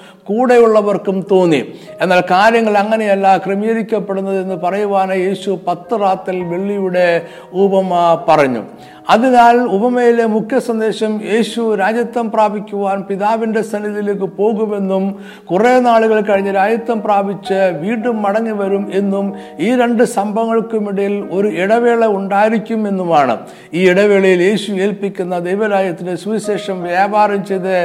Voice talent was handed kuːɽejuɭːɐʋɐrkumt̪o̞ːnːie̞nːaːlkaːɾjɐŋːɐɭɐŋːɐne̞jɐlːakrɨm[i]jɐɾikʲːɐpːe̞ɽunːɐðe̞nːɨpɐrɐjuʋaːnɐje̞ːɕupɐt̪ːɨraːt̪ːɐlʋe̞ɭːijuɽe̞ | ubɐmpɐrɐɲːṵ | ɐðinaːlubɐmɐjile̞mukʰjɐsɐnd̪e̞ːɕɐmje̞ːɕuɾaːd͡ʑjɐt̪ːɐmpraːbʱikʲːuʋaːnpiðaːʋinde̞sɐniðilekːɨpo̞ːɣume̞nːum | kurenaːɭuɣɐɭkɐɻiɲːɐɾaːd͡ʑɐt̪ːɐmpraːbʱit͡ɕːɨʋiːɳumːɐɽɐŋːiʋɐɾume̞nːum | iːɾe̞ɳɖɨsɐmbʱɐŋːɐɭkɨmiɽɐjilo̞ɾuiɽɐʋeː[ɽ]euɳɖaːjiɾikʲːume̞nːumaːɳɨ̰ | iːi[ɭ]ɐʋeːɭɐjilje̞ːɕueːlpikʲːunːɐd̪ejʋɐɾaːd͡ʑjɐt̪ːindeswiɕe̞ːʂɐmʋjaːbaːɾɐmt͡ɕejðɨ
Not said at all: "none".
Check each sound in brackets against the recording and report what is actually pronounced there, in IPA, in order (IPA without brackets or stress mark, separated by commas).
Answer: i, ɭ, ɽ